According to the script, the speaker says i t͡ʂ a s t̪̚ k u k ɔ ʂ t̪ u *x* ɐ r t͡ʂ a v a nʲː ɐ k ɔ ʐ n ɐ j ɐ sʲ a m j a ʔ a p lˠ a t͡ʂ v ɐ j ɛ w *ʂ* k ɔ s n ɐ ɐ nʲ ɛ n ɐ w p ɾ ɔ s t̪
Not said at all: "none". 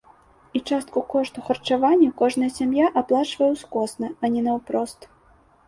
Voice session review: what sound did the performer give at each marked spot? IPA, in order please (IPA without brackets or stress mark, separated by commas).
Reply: x, s